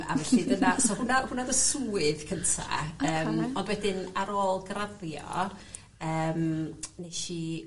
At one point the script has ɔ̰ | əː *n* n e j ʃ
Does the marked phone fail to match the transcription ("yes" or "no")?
yes